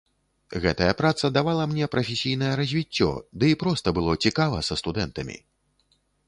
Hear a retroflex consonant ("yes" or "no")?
no